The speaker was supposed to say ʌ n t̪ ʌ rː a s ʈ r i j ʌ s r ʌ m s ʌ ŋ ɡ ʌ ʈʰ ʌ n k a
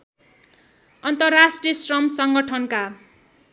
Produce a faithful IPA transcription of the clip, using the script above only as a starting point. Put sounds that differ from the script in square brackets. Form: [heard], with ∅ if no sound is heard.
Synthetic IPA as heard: ʌ n t̪ ʌ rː a s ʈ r i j ʌ s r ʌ m s ʌ ŋ ɡ ʌ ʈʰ ʌ n k a